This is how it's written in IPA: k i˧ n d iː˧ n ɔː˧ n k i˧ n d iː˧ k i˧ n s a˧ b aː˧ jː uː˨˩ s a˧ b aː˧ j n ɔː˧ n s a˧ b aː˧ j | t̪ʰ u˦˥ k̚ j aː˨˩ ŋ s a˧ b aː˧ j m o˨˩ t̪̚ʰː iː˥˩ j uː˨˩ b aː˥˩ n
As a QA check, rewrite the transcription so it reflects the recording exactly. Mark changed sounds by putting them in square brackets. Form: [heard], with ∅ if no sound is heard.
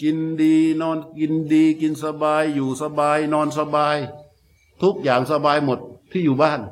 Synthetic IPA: k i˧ n d iː˧ n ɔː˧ n k i˧ n d iː˧ k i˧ n s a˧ b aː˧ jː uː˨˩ s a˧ b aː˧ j n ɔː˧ n s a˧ b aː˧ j | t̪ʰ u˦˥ k̚ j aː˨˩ ŋ s a˧ b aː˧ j m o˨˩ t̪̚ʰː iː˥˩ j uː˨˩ b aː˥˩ n